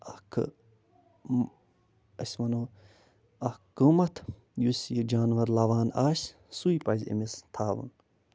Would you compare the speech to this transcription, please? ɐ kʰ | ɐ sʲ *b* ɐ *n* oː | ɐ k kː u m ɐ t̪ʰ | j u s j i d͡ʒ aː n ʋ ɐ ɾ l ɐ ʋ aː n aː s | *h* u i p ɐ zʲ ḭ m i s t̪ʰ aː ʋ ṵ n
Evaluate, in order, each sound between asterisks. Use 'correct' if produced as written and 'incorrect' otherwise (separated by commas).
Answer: incorrect, correct, incorrect